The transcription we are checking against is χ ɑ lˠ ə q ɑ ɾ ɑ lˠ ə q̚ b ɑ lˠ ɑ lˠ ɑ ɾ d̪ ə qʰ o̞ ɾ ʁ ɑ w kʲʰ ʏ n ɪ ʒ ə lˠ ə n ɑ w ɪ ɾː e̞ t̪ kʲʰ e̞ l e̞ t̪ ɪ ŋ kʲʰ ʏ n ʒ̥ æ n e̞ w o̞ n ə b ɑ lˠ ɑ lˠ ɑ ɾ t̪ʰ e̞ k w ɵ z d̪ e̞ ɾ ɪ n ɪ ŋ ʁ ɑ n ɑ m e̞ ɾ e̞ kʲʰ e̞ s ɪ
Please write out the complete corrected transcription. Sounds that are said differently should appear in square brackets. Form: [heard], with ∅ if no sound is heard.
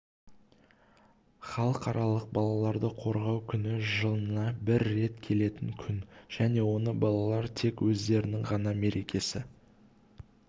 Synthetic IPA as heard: χ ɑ lˠ ə q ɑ ɾ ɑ lˠ ə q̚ b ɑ lˠ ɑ lˠ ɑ ɾ d̪ ə qʰ o̞ ɾ ʁ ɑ w kʲʰ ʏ n ɪ ʒ ə lˠ ə n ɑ [b] ɪ ɾː e̞ t̪ kʲʰ e̞ l e̞ t̪ ɪ ŋ kʲʰ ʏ n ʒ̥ æ n e̞ w o̞ n ə b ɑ lˠ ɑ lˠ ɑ ɾ t̪ʰ e̞ k w ɵ z d̪ e̞ ɾ ɪ n ɪ ŋ ʁ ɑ n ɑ m e̞ ɾ e̞ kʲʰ e̞ s ɪ